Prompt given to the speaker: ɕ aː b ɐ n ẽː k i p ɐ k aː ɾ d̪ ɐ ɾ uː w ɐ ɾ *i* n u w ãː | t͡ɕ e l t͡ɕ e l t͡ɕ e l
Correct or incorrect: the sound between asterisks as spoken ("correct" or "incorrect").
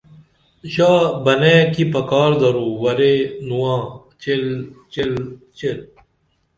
incorrect